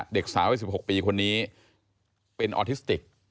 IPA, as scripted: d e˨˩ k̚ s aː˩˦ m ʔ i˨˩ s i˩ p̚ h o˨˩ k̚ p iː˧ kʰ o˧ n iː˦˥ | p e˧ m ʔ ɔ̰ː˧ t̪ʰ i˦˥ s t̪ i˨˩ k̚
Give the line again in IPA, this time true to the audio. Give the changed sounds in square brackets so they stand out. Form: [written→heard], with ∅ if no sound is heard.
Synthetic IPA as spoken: d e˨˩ k̚ s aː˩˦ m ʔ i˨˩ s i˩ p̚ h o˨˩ k̚ p iː˧ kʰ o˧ [n→nː] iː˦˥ | p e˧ [m→n] ʔ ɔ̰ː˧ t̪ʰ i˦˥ s t̪ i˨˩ k̚